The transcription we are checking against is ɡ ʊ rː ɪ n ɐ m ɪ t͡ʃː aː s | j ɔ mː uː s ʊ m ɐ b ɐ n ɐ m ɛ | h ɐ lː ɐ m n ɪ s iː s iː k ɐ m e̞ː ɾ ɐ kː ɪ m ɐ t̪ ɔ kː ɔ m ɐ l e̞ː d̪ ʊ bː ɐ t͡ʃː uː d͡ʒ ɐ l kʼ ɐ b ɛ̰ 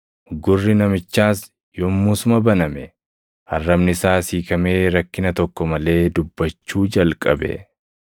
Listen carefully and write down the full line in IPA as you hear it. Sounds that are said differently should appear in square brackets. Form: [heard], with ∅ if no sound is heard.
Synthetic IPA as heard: ɡ ʊ rː ɪ n ɐ m ɪ t͡ʃː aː s | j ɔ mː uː s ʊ m ɐ b ɐ n ɐ m ɛ | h ɐ [rː] ɐ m n ɪ s [aː] s iː k ɐ m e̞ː ɾ ɐ kː ɪ [n] ɐ t̪ ɔ kː ɔ m ɐ l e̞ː d̪ ʊ bː ɐ t͡ʃː uː d͡ʒ ɐ l kʼ ɐ b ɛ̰